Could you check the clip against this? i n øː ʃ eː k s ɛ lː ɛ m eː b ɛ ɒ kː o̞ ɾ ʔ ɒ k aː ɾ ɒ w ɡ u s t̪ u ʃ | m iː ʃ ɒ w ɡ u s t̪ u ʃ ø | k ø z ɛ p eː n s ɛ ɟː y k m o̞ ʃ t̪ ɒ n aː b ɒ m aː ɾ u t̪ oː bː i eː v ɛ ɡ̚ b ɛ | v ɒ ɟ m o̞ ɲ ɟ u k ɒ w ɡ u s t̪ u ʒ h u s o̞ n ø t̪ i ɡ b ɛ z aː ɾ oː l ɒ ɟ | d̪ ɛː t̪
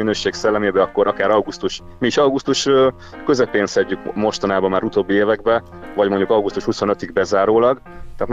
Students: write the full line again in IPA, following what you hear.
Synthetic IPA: i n øː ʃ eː k s ɛ lː ɛ m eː b ɛ ɒ kː o̞ ɾ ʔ ɒ k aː ɾ ɒ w ɡ u s t̪ u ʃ | m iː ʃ ɒ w ɡ u s t̪ u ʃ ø | k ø z ɛ p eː n s ɛ ɟː y k m o̞ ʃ t̪ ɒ n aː b ɒ m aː ɾ u t̪ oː bː i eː v ɛ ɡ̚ b ɛ | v ɒ ɟ m o̞ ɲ ɟ u k ɒ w ɡ u s t̪ u ʃ h u s o̞ n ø t̪ i ɡ b ɛ z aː ɾ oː l ɒ ɡ | t̪ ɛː t̪